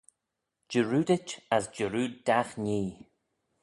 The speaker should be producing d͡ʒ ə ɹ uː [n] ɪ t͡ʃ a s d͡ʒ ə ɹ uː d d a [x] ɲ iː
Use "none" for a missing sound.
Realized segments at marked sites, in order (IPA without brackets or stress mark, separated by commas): d, x